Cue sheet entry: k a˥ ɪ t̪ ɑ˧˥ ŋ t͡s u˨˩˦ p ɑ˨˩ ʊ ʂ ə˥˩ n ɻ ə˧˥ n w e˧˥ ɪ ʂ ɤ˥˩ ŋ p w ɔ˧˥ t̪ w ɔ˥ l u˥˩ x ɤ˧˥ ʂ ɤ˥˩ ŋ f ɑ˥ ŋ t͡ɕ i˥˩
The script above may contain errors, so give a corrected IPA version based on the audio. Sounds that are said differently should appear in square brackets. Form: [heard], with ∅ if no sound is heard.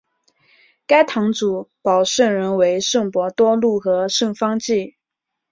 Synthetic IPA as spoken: k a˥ ɪ [t̪ʰ] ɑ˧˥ ŋ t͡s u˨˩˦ p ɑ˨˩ ʊ ʂ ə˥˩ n ɻ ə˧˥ n w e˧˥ ɪ ʂ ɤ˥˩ ŋ p w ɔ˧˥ t̪ w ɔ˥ l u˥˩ x ɤ˧˥ ʂ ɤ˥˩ ŋ f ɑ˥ ŋ t͡ɕ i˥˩

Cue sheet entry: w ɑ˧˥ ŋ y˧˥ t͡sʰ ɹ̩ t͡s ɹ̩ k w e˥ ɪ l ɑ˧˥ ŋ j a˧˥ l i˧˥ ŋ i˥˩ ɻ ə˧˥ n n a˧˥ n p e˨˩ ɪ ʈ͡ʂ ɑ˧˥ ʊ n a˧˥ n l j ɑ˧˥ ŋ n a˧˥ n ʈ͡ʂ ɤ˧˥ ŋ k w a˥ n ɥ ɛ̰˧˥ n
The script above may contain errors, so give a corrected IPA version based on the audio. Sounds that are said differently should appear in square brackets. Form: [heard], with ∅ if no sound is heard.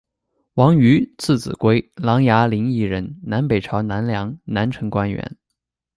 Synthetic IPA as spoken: w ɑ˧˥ ŋ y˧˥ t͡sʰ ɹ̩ t͡s ɹ̩ k w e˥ ɪ l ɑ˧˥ ŋ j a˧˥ l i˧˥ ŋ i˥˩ ɻ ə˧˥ n n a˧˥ n p e˨˩ ɪ [ʈ͡ʂʰ] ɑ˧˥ ʊ n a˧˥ n l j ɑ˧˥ ŋ n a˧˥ n [ʈ͡ʂʰ] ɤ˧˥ ŋ k w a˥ n ɥ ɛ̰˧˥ n

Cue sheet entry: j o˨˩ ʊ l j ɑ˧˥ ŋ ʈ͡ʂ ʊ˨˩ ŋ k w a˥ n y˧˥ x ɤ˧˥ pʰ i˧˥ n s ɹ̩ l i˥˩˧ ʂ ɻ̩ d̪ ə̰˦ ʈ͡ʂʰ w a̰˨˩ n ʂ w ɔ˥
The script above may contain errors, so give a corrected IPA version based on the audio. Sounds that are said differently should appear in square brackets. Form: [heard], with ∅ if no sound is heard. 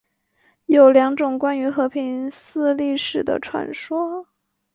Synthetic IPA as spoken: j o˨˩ ʊ l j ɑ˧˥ ŋ ʈ͡ʂ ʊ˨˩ ŋ k w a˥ n y˧˥ x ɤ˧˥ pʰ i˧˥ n s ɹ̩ l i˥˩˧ ʂ ɻ̩ d̪ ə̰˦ ʈ͡ʂʰ w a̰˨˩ n ʂ w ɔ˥

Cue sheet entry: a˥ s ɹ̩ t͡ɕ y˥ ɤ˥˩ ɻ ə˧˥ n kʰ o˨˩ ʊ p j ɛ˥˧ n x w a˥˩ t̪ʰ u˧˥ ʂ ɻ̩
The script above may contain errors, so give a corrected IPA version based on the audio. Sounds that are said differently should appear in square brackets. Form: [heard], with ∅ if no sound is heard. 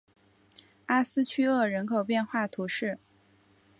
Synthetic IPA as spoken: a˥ s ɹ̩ [t͡ɕʰ] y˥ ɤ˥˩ ɻ ə˧˥ n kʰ o˨˩ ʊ p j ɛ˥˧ n x w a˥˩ t̪ʰ u˧˥ ʂ ɻ̩

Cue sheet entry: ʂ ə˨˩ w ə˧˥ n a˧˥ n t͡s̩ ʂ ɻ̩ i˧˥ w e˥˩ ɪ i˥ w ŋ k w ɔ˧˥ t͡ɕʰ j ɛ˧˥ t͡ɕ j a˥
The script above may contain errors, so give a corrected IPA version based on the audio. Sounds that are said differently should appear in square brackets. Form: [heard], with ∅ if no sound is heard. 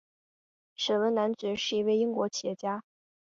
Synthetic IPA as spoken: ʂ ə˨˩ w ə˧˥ n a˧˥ n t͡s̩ ʂ ɻ̩ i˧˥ w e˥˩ ɪ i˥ [∅] ŋ k w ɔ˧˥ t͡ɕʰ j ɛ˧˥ t͡ɕ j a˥

